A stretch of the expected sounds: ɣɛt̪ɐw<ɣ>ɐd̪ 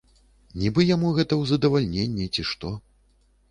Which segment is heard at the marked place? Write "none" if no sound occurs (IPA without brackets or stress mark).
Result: z